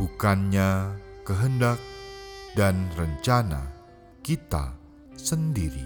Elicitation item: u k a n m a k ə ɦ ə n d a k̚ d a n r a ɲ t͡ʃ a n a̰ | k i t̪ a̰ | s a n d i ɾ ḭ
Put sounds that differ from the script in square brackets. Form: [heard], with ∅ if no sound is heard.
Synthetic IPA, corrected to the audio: u k a n [ɲ] a k ə ɦ ə n d a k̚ d a n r [ə] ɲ t͡ʃ a n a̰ | k i t̪ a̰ | s [ə] n d i ɾ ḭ